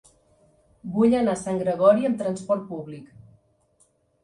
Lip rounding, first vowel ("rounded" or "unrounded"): rounded